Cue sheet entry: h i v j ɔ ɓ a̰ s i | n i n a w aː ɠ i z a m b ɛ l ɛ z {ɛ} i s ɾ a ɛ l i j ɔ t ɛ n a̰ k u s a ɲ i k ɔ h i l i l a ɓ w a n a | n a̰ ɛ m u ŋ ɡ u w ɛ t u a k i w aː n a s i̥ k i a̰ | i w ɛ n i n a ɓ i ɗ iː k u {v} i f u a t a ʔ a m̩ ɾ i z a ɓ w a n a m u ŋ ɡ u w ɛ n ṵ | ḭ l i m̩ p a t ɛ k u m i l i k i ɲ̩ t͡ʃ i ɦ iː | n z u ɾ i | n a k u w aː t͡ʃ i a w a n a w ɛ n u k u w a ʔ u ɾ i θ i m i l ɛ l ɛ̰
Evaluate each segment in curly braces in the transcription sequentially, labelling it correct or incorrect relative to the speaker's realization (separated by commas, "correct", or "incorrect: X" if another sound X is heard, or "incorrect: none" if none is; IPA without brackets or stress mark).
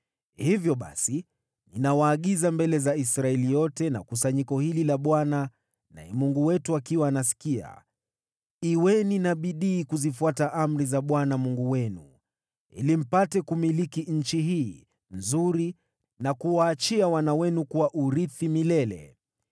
incorrect: a, incorrect: z